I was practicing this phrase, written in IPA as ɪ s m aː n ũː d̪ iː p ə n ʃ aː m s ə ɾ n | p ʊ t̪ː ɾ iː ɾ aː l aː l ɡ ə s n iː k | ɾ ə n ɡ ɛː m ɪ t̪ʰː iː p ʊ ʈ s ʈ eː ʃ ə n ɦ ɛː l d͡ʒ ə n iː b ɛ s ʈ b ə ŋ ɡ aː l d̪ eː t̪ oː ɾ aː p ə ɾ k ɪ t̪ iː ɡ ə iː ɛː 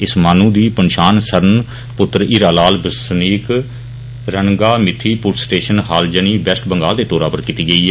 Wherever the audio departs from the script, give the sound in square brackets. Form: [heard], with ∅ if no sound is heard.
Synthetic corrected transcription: ɪ s m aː n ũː d̪ iː p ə n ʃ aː [n] s ə ɾ n | p ʊ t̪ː ɾ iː ɾ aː l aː l [b] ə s n iː k | ɾ ə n ɡ [aː] m ɪ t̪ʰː iː p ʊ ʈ s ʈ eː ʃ ə n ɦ [aː] l d͡ʒ ə n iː b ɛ s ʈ b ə ŋ ɡ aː l d̪ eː t̪ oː ɾ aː p ə ɾ k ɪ t̪ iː ɡ ə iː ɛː

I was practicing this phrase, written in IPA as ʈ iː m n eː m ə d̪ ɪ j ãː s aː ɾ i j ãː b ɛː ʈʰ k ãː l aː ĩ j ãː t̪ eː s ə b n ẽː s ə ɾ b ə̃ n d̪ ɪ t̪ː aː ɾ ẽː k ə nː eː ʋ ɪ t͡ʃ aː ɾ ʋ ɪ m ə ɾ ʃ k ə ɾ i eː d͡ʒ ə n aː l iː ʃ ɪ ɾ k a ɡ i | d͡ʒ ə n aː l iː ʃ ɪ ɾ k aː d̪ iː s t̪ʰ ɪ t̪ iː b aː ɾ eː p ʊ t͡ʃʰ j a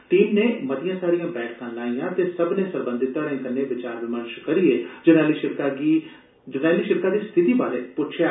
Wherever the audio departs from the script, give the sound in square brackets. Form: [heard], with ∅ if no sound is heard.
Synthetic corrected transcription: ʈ iː m n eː m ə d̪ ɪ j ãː s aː ɾ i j ãː b ɛː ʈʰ k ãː l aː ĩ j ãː t̪ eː s ə b n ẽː s ə ɾ b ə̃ n d̪ ɪ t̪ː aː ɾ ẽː k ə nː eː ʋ ɪ t͡ʃ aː ɾ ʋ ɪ m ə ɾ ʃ k ə ɾ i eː d͡ʒ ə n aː l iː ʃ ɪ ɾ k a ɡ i | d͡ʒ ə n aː l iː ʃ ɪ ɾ k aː d̪ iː s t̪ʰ ɪ t̪ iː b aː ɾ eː p ʊ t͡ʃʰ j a

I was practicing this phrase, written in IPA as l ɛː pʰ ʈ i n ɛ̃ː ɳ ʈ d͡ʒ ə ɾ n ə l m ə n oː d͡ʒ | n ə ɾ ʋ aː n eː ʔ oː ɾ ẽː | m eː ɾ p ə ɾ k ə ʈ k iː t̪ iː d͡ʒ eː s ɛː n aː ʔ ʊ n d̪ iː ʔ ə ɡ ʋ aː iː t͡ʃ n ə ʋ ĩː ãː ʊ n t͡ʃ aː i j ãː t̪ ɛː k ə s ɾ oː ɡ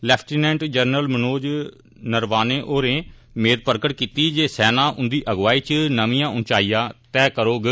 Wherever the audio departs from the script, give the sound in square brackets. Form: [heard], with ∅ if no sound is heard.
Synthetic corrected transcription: l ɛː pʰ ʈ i n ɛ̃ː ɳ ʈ d͡ʒ ə ɾ n ə l m ə n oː d͡ʒ | n ə ɾ ʋ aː n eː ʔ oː ɾ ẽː | m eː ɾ p ə ɾ k ə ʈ k iː t̪ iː d͡ʒ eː s ɛː n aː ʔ ʊ n d̪ iː ʔ ə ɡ ʋ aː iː t͡ʃ n ə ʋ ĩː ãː ʊ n t͡ʃ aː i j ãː t̪ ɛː k ə [∅] ɾ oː ɡ

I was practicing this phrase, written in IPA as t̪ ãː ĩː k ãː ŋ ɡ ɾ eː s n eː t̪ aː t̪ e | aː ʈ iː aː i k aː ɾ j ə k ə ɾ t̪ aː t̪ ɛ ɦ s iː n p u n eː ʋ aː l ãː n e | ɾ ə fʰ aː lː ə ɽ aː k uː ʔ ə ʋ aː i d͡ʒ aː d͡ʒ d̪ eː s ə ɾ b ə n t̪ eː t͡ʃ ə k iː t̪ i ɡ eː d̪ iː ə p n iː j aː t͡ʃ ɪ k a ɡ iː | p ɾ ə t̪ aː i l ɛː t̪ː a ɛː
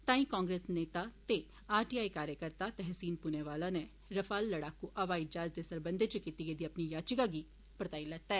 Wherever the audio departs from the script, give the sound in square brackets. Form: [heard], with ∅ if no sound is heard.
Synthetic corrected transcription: t̪ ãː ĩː k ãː ŋ ɡ ɾ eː s n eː t̪ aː t̪ e | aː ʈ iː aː i k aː ɾ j ə k ə ɾ t̪ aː t̪ ɛ ɦ s iː n p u n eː ʋ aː l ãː n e | ɾ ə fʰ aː lː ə ɽ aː k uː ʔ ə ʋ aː i d͡ʒ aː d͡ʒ d̪ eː s ə ɾ b ə n [d̪] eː t͡ʃ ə k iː t̪ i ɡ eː d̪ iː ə p n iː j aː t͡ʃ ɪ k a ɡ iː | p ɾ ə t̪ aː i l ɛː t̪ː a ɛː

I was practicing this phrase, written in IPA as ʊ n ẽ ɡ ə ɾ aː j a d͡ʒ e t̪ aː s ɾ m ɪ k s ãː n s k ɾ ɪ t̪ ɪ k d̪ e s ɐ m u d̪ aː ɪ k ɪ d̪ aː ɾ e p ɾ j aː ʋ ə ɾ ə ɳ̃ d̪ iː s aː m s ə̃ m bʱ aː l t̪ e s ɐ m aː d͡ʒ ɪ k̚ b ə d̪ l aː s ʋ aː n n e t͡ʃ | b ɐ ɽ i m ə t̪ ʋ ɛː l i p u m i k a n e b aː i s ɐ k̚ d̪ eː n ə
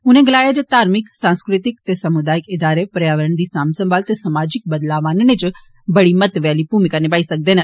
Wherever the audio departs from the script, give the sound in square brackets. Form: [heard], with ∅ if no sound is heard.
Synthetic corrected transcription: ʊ n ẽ ɡ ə [l] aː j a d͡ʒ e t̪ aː [∅] ɾ m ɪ k s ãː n s k ɾ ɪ t̪ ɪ k [t̪] e s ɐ m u d̪ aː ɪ k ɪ d̪ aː ɾ e p ɾ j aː ʋ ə ɾ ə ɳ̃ d̪ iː s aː m s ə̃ m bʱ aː l t̪ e s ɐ m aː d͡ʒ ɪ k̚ b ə d̪ l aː [∅] ʋ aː n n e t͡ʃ | b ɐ ɽ i m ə t̪ ʋ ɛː l i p u m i k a n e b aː i s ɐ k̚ d̪ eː n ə

